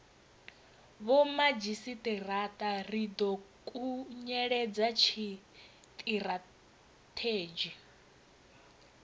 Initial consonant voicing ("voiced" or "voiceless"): voiced